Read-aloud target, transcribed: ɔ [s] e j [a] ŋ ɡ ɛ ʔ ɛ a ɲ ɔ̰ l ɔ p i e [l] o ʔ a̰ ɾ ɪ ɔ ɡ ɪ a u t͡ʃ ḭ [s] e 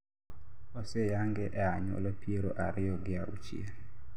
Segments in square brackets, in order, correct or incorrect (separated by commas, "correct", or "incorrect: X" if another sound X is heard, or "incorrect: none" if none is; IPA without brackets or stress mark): correct, correct, incorrect: ɾ, incorrect: none